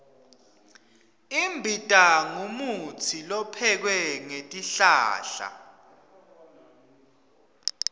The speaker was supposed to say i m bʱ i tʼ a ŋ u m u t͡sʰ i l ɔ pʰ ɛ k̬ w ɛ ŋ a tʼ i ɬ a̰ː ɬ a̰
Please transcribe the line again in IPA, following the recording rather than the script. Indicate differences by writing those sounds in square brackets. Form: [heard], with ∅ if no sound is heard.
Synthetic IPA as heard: i m bʱ i tʼ a ŋ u m u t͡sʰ i l ɔ pʰ ɛ k̬ w ɛ ŋ [e] tʼ i ɬ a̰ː ɬ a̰